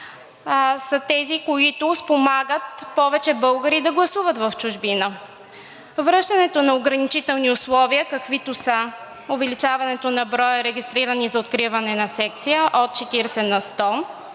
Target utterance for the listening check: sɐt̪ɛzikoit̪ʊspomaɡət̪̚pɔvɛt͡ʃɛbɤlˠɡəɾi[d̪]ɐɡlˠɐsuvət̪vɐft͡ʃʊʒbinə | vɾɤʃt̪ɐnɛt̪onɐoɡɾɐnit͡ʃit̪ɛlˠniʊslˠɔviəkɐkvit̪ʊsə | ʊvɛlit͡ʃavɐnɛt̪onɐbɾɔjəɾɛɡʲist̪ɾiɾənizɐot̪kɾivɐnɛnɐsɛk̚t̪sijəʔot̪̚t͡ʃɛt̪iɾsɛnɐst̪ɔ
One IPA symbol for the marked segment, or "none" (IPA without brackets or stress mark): d̪